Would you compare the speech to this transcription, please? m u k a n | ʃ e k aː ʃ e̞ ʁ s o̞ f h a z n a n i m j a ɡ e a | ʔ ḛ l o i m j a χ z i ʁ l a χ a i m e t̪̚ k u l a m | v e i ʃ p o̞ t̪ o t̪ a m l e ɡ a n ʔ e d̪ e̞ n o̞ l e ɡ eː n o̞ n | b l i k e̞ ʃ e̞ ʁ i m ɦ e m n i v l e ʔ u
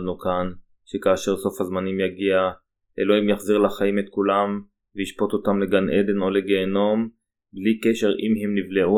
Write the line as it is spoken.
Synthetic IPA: n u k a n | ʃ e k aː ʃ e̞ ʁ s o̞ f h a z m a n i m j a ɡ i a | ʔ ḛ l o i m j a χ z i ʁ l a χ a i m e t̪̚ k u l a m | v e i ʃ p o̞ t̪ o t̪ a m l e ɡ a n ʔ e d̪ e̞ n o̞ l e ɡ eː n o̞ m | b l i k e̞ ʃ e̞ ʁ i m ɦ e m n i v l e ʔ u